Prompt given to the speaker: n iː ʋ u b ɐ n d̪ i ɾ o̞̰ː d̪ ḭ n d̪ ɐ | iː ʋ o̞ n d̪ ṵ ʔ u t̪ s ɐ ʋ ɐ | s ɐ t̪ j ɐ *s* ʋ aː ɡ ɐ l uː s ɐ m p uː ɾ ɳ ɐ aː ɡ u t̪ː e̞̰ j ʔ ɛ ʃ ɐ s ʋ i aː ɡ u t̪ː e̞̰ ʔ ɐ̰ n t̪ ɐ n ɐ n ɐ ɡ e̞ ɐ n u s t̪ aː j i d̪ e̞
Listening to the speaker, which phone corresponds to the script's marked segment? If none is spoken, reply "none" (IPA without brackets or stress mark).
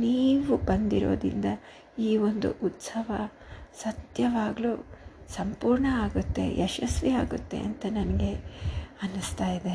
none